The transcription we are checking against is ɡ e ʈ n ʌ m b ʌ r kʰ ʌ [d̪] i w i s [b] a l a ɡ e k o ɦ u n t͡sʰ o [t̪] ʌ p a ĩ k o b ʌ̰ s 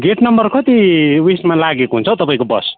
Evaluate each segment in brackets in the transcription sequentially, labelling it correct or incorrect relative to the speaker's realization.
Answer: incorrect: t̪, incorrect: m, correct

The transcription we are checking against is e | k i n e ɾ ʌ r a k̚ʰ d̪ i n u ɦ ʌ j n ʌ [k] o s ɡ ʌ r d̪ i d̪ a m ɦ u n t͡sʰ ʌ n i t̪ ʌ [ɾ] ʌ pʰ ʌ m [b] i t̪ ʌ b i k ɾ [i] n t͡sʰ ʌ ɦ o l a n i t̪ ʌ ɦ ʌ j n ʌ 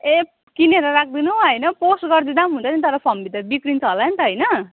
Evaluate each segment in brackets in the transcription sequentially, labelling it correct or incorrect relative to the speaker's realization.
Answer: incorrect: p, correct, correct, correct

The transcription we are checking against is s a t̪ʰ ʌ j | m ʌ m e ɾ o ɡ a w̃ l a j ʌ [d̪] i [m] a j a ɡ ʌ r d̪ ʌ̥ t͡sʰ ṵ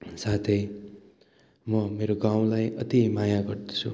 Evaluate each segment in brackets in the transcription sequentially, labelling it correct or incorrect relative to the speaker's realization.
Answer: incorrect: t̪, correct

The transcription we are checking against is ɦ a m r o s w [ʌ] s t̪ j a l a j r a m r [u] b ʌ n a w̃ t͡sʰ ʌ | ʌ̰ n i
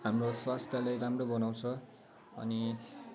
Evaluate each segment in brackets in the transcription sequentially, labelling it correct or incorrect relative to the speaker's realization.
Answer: incorrect: a, incorrect: o

